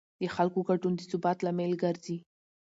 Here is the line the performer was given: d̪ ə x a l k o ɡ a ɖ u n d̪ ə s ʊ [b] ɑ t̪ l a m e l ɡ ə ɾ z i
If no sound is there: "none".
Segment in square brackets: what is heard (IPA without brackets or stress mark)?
b